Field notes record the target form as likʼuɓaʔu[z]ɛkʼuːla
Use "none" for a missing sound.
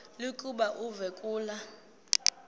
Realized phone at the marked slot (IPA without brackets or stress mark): v